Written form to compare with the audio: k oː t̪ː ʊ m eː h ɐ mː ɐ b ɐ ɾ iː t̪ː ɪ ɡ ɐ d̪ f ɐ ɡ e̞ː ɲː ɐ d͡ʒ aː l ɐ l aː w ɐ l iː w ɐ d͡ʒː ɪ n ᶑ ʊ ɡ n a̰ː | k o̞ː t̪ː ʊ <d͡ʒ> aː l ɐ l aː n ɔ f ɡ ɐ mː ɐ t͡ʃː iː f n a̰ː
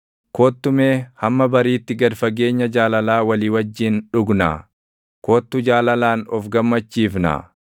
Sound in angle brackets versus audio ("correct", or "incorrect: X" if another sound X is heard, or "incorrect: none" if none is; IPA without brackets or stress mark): correct